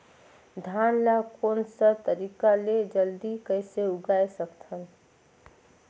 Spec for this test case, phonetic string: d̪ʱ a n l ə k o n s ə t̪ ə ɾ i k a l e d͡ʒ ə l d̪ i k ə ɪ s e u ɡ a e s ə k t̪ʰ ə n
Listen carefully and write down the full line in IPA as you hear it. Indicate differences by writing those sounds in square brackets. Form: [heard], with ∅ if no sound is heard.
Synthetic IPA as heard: d̪ʱ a n l [a] k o n s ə t̪ ə ɾ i k a l e d͡ʒ ə l d̪ i k ə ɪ s e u ɡ a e s ə k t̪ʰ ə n